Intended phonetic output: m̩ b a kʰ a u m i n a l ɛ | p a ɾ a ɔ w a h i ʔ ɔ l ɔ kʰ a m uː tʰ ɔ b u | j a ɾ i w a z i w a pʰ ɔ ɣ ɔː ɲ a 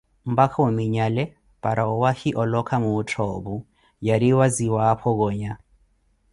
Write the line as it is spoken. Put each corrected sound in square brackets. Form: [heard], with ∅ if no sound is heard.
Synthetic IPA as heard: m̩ b a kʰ a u m i [ɲ] a l ɛ | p a ɾ a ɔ w a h i ʔ ɔ l ɔ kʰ a m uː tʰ ɔ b u | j a ɾ i w a z i w a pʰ ɔ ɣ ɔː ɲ a